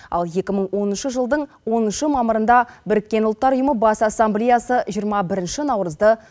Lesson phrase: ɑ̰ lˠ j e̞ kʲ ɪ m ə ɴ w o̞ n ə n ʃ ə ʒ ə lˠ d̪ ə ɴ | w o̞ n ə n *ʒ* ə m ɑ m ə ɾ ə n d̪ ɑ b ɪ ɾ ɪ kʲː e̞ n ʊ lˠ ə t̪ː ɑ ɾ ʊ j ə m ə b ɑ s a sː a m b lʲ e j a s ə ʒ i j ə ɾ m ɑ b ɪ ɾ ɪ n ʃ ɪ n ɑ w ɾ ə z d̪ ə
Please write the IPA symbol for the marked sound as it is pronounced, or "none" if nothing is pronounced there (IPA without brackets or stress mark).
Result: ʃ